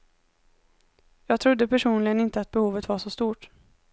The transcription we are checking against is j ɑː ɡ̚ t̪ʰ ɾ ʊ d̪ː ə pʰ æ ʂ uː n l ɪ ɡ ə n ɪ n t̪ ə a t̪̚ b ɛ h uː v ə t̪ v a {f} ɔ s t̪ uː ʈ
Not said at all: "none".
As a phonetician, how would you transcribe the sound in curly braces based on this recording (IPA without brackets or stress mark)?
ʂ